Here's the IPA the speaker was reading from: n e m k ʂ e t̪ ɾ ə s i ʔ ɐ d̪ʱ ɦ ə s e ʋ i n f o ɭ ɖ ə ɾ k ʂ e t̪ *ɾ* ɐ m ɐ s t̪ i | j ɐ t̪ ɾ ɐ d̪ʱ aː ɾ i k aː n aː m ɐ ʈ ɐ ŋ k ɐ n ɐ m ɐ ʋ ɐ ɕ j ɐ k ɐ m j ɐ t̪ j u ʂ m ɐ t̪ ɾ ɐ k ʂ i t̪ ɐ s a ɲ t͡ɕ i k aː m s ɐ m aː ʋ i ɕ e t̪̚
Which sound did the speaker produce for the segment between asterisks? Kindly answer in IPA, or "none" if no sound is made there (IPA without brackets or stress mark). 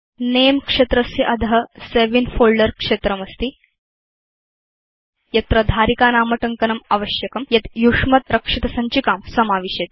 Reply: ɾ